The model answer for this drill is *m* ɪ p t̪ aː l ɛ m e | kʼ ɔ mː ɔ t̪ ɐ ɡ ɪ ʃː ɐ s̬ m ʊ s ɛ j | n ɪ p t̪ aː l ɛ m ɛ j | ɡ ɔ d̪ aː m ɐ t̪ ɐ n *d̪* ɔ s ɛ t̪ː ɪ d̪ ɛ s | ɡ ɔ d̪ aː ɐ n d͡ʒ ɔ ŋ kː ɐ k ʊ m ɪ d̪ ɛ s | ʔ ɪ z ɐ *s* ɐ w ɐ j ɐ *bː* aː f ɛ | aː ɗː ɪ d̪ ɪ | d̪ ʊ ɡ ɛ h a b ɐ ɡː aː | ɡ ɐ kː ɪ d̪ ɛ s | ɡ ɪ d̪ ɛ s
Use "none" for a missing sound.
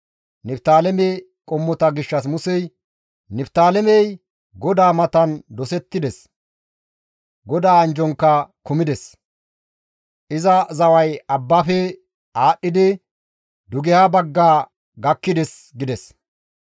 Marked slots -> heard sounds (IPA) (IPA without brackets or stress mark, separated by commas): n, d̪, z, bː